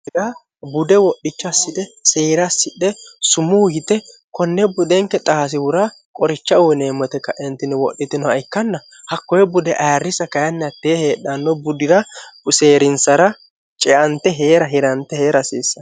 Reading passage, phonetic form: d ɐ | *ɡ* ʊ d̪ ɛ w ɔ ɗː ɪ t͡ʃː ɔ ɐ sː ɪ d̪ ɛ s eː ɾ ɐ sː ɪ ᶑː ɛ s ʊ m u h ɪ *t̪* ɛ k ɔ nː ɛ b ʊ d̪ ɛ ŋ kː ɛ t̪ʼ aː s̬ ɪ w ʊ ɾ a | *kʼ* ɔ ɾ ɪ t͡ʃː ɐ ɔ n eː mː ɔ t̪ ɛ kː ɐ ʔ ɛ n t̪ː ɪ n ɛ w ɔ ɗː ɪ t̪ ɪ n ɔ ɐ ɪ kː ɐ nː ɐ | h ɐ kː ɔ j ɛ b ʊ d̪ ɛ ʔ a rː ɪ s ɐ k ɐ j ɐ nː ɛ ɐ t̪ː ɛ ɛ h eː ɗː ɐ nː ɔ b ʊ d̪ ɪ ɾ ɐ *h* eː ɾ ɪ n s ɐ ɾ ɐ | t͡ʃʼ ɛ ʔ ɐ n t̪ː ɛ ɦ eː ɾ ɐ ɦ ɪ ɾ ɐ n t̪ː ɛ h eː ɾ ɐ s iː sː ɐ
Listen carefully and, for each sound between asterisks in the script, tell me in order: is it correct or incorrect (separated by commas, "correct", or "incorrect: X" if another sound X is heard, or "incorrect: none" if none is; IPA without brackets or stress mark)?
incorrect: b, correct, correct, incorrect: s